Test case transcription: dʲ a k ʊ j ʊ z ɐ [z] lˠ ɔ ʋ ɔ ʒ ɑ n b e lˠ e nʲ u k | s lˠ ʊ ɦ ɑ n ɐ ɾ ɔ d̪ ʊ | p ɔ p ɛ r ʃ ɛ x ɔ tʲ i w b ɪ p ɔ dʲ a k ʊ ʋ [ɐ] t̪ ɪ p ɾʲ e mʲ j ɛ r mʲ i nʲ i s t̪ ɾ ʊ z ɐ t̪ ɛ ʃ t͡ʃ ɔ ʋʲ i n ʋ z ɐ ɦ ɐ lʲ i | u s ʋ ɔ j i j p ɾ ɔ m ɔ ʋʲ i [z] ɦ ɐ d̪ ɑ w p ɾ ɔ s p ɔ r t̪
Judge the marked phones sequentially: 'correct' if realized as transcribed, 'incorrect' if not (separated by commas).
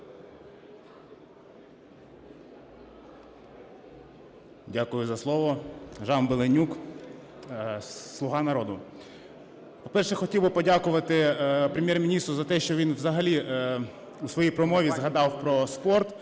incorrect, correct, correct